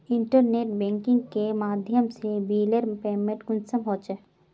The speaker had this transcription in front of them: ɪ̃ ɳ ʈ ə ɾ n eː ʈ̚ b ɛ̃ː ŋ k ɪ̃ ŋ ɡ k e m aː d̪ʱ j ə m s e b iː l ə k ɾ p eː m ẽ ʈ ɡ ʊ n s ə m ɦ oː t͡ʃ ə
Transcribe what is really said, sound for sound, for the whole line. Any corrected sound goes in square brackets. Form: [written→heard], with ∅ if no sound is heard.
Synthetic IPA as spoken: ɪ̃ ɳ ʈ ə ɾ n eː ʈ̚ b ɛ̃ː ŋ k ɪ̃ ŋ ɡ k e m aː d̪ʱ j ə m s e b iː l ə [k→∅] ɾ p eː m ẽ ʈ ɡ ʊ n s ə m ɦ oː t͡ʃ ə